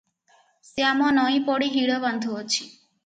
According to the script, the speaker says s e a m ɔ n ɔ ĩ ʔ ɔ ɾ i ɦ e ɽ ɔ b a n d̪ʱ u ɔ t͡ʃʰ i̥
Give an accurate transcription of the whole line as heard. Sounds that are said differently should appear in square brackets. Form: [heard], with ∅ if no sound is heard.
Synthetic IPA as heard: s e a m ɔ n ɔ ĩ [p] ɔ [ɽ] i ɦ [i] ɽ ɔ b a n d̪ʱ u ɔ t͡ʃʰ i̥